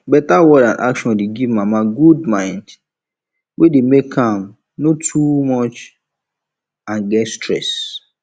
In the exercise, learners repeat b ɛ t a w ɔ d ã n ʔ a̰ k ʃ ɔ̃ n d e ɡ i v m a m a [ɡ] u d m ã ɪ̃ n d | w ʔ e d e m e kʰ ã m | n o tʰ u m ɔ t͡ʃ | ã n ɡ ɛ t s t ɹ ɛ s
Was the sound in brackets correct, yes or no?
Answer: yes